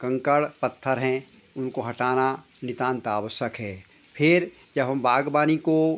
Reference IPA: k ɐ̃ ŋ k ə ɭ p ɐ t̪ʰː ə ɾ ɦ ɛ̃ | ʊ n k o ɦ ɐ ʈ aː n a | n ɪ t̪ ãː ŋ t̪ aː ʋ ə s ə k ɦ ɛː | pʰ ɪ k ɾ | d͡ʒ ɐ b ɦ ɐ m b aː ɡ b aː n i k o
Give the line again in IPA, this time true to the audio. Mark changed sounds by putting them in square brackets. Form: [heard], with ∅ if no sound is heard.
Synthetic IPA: k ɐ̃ ŋ k ə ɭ p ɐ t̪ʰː ə ɾ ɦ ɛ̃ | ʊ n k o ɦ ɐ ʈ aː n a | n ɪ t̪ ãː [n] t̪ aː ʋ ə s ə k ɦ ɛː | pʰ ɪ [∅] ɾ | d͡ʒ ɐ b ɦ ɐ m b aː ɡ b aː n i k o